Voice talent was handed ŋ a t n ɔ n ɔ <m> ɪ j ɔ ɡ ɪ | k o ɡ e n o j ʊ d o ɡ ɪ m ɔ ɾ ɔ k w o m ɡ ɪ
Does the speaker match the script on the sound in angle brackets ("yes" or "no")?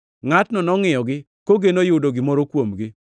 no